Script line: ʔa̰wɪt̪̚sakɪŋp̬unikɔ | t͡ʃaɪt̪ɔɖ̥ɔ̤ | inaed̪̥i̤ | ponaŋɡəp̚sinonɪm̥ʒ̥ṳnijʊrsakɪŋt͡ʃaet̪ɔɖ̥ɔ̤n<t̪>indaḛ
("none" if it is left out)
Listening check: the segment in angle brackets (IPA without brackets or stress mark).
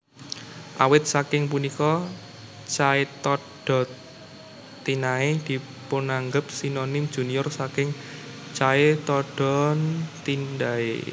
t̪